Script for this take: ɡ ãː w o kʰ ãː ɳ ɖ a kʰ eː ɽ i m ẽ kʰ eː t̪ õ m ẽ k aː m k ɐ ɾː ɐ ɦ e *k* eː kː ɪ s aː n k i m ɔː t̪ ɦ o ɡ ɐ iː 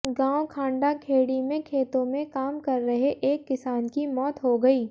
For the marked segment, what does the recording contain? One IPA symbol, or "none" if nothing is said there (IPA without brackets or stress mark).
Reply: ʔ